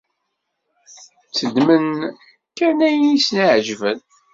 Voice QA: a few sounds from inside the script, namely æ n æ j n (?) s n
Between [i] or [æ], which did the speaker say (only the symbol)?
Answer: i